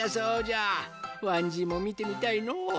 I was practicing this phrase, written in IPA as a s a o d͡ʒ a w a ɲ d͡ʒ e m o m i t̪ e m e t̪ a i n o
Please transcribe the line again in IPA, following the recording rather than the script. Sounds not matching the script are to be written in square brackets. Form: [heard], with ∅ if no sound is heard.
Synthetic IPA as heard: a s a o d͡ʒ a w a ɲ d͡ʒ [i] m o m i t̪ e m [i] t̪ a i n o